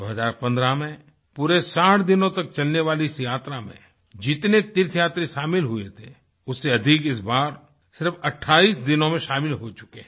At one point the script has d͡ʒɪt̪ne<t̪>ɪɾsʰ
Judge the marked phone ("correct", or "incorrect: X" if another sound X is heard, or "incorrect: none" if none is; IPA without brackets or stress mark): correct